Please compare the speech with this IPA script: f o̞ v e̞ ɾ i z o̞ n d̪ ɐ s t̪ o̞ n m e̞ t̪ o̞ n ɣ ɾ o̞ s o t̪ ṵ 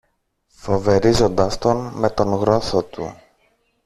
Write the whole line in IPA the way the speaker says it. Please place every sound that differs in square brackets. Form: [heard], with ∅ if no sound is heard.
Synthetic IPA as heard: f o̞ v e̞ ɾ i z o̞ n d̪ ɐ s t̪ o̞ n m e̞ t̪ o̞ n ɣ ɾ o̞ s o t̪ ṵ